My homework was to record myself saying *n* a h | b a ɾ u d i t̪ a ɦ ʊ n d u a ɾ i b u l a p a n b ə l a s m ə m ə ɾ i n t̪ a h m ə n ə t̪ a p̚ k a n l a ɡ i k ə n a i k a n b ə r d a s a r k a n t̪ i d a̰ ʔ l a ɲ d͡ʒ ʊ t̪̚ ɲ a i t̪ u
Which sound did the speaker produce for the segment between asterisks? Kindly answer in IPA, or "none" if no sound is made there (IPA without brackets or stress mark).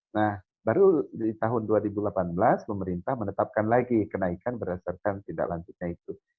n